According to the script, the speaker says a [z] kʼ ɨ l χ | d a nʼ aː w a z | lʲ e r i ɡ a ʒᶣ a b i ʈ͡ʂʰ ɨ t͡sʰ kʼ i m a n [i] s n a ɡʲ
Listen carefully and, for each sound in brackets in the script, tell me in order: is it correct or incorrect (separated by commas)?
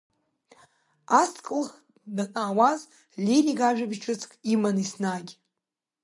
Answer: incorrect, correct